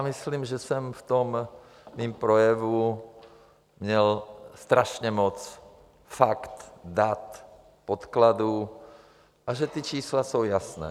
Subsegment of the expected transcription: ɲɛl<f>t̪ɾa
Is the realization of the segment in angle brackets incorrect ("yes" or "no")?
yes